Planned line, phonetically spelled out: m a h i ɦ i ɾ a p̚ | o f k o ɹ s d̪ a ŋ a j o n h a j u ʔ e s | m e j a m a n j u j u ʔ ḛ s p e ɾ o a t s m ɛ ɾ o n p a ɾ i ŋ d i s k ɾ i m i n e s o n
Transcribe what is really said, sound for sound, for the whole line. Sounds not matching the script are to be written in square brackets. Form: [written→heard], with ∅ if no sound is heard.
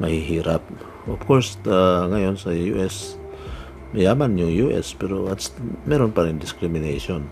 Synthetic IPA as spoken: m a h i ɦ i ɾ a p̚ | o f k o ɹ s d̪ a ŋ a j o n [h→s] a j u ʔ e s | m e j a m a n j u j u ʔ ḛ s p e ɾ o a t s m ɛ ɾ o n p a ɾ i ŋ d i s k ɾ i m i n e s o n